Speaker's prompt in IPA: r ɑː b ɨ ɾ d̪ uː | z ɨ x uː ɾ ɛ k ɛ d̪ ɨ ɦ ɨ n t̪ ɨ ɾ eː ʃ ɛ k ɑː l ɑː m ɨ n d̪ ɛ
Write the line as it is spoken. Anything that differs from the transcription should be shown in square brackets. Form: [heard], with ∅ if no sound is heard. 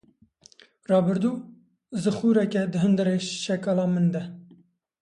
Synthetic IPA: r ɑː b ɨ ɾ d̪ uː | z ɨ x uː ɾ ɛ k ɛ d̪ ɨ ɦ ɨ n [d̪] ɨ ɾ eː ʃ ɛ k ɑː l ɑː m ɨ n d̪ ɛ